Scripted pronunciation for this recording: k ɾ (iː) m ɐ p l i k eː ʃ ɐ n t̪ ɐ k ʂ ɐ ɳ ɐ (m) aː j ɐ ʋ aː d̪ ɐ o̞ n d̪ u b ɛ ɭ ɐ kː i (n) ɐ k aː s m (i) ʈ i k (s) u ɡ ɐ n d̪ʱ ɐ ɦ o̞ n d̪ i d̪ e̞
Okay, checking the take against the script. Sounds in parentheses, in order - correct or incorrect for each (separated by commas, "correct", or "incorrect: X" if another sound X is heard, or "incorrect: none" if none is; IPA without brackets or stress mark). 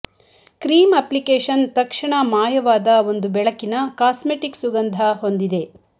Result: correct, correct, correct, incorrect: e, correct